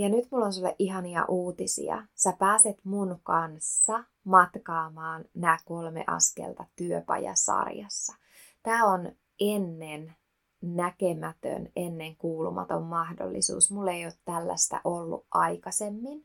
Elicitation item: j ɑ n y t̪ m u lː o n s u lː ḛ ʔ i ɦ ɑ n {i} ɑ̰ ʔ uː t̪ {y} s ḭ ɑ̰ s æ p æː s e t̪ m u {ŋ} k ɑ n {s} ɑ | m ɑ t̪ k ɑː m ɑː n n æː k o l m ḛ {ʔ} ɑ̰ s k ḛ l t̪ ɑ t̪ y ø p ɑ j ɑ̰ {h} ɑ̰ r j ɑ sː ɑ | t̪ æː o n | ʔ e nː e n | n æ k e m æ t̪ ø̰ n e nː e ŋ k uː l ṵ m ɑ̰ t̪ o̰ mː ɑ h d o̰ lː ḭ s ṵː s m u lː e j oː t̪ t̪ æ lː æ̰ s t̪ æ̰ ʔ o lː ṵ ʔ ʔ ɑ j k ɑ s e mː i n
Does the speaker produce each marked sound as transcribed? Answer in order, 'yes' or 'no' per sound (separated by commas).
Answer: yes, no, no, no, yes, no